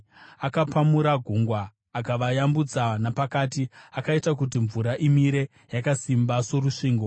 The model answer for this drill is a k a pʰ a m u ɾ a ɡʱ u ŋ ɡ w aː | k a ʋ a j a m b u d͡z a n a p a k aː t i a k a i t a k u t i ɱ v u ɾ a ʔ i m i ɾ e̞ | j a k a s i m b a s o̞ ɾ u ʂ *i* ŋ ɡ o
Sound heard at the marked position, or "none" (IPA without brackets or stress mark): iː